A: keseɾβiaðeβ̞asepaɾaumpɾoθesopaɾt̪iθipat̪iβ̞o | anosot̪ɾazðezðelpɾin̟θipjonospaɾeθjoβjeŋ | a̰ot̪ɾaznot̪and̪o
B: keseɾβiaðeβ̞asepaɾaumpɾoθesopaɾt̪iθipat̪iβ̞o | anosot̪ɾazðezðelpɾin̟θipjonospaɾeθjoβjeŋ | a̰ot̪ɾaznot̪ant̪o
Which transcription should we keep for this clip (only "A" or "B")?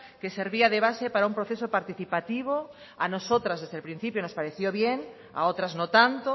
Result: B